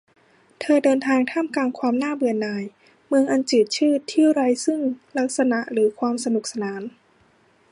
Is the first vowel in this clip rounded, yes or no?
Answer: no